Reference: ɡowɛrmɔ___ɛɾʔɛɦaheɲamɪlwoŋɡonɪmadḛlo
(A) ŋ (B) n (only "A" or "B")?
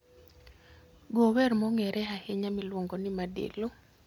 A